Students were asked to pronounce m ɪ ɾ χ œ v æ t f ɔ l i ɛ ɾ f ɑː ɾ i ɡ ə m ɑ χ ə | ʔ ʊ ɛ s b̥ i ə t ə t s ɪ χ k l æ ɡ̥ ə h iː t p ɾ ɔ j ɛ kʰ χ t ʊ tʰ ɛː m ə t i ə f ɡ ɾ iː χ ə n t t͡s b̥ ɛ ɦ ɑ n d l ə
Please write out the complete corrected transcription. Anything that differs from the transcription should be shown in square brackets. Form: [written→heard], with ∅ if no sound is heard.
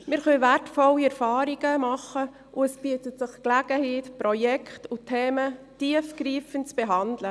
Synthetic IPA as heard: m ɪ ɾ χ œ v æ t f ɔ l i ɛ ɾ f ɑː ɾ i ɡ ə m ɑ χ ə | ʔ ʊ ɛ s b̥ i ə t ə t s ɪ χ k l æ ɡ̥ ə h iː t p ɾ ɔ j ɛ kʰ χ t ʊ tʰ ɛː m ə t i ə f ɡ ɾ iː [χ→f] ə n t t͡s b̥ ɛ ɦ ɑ n d l ə